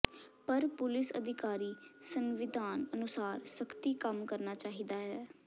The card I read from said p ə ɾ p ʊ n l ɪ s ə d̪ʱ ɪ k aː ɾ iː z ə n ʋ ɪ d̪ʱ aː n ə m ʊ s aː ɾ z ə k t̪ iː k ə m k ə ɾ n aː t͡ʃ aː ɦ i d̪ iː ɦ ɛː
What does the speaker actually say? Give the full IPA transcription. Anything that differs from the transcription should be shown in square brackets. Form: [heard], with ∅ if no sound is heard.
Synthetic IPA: p ə ɾ p ʊ [∅] l ɪ s ə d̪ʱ ɪ k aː ɾ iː [s] ə n ʋ ɪ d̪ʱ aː n ə [n] ʊ s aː ɾ [s] ə k t̪ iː k ə m k ə ɾ n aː t͡ʃ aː ɦ i d̪ [aː] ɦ ɛː

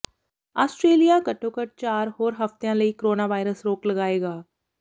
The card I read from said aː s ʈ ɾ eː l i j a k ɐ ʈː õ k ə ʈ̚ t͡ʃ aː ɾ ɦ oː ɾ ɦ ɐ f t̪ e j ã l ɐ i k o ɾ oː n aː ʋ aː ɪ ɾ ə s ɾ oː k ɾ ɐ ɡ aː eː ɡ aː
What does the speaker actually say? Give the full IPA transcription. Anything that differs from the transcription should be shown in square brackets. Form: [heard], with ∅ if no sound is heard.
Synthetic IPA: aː s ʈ ɾ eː l i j a k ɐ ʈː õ k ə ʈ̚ t͡ʃ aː ɾ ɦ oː ɾ ɦ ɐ f t̪ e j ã l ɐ i k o ɾ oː n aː ʋ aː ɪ ɾ ə s ɾ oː k [l] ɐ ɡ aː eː ɡ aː

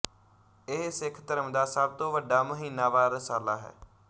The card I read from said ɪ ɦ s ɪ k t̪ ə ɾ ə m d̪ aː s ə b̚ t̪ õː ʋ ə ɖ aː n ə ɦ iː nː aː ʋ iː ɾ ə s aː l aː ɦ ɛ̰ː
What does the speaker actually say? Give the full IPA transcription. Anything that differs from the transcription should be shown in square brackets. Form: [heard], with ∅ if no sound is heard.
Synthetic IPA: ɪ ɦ s ɪ [kʰ] t̪ ə ɾ ə m d̪ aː s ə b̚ t̪ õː ʋ ə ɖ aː [m] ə ɦ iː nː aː ʋ [aː] ɾ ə s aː l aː ɦ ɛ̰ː

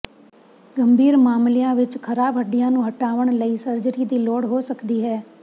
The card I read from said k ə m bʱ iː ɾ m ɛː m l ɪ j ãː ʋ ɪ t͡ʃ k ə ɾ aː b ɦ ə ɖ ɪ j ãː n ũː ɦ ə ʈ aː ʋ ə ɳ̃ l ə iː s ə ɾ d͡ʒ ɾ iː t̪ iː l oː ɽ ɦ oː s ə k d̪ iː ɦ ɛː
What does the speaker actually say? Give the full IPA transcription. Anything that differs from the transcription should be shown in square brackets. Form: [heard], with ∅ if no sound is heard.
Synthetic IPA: [ɡ] ə m bʱ iː ɾ m [aː] m l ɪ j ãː ʋ ɪ t͡ʃ [kʰ] ə ɾ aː b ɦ ə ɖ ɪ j ãː n ũː ɦ ə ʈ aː ʋ ə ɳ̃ l ə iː s ə ɾ d͡ʒ ɾ iː [d̪] iː l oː ɽ ɦ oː s ə k d̪ iː ɦ ɛː

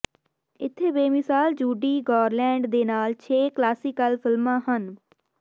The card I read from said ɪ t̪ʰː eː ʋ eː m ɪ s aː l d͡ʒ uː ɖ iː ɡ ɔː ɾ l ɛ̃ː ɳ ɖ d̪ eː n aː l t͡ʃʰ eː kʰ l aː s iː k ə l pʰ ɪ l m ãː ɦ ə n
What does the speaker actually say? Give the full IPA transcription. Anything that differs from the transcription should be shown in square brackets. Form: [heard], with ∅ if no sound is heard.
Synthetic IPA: ɪ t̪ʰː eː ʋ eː m ɪ s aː l d͡ʒ uː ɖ iː ɡ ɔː ɾ l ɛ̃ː ɳ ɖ d̪ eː n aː l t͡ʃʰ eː [k] l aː s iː k ə l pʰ ɪ l m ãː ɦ ə n

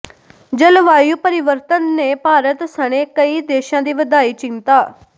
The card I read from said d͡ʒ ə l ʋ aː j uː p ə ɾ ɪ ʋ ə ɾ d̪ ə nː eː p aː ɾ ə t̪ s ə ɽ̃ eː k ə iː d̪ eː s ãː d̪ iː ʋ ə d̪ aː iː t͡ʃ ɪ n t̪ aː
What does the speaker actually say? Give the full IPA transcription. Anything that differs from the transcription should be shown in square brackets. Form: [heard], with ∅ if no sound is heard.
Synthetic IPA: d͡ʒ ə l ʋ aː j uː p ə ɾ ɪ ʋ ə ɾ [t̪] ə nː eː p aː ɾ ə t̪ s ə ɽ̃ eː k ə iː d̪ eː [ʃ] ãː d̪ iː ʋ ə d̪ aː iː t͡ʃ ɪ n t̪ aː

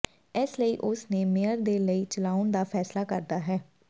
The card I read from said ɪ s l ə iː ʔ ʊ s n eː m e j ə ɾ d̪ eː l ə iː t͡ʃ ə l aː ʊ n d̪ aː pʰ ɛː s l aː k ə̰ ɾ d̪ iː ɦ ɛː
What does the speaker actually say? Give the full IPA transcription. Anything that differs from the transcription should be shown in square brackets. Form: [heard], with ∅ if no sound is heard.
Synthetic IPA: ɪ s l ə iː ʔ ʊ s n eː m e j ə ɾ d̪ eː l ə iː t͡ʃ ə l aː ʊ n d̪ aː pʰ ɛː s l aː k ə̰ ɾ d̪ [aː] ɦ ɛː

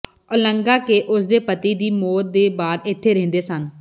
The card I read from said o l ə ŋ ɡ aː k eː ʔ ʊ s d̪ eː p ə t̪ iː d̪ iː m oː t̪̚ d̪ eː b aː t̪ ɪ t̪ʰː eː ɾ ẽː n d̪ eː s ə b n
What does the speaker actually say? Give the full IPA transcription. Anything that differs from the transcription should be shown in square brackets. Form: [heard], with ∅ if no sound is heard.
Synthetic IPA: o l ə ŋ ɡ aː k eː ʔ ʊ s d̪ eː p ə t̪ iː d̪ iː m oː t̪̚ d̪ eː b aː [d̪] ɪ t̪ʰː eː ɾ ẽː n d̪ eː s ə [∅] n

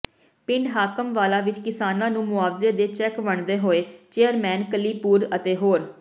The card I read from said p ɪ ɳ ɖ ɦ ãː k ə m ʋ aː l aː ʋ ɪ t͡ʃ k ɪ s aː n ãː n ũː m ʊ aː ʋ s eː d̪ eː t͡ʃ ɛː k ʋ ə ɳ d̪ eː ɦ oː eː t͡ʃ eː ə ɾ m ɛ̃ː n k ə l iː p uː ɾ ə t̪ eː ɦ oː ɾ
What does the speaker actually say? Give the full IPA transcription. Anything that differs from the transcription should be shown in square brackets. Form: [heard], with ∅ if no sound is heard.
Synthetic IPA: p ɪ ɳ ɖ ɦ [aː] k ə m ʋ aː l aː ʋ ɪ t͡ʃ k ɪ s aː n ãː n ũː m ʊ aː ʋ [z] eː d̪ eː t͡ʃ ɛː k ʋ ə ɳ d̪ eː ɦ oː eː t͡ʃ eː ə ɾ m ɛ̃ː n k ə l iː p uː ɾ ə t̪ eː ɦ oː ɾ

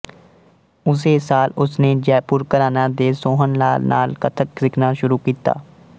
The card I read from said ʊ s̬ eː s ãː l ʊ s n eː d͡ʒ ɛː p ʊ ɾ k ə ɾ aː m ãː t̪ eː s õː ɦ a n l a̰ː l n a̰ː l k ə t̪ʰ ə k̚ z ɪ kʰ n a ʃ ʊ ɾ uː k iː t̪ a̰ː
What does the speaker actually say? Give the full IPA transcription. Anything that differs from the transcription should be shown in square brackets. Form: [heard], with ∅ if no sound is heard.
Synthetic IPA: ʊ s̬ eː s [aː] l ʊ s n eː d͡ʒ ɛː p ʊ ɾ k ə ɾ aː [n] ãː [d̪] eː s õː ɦ [ə] n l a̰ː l n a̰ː l k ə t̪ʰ ə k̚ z ɪ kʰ n a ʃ ʊ ɾ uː k iː t̪ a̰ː

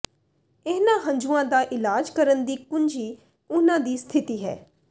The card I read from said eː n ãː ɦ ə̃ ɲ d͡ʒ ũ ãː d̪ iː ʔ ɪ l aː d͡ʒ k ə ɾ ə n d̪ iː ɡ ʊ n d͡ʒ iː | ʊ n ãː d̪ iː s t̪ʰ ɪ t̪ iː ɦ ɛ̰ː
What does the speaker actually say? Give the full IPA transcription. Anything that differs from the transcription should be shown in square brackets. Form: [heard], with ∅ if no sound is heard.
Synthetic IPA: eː n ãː ɦ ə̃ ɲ d͡ʒ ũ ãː d̪ [aː] ʔ ɪ l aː d͡ʒ k ə ɾ ə n d̪ iː [k] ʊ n d͡ʒ iː | ʊ n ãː d̪ iː s t̪ʰ ɪ t̪ iː ɦ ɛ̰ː

